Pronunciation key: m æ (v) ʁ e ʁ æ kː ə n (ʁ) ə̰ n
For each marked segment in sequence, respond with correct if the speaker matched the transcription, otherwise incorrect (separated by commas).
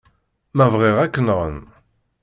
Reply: correct, correct